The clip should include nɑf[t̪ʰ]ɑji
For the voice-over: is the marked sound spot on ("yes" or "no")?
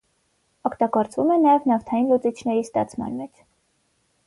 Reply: yes